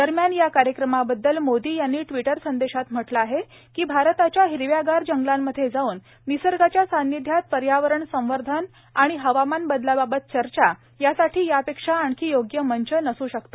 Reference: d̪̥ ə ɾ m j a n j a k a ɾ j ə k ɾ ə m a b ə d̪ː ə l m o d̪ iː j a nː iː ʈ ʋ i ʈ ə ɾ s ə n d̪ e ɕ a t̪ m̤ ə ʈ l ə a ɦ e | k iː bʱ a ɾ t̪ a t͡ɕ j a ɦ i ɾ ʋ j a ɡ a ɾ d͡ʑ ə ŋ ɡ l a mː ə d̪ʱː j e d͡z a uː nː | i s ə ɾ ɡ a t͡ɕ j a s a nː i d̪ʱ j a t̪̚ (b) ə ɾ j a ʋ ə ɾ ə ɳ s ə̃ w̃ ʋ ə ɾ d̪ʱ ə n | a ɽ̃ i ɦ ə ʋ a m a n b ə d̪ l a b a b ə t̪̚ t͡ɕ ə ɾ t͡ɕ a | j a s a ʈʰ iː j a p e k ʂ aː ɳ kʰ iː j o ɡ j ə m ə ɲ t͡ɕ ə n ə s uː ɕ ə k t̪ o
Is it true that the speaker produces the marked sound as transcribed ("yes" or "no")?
no